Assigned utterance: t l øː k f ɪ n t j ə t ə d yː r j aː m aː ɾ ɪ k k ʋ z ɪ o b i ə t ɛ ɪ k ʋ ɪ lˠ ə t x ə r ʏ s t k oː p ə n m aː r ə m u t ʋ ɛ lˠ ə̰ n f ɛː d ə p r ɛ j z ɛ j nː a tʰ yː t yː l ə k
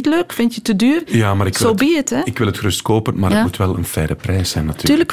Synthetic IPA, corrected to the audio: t l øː k f ɪ n t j ə t ə d yː r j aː m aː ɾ ɪ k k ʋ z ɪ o b i ə t ɛ ɪ k ʋ ɪ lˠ ə t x ə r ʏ s t k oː p ə n m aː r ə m u t ʋ ɛ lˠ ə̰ n f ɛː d ə p r ɛ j s ɛ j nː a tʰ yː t yː l ə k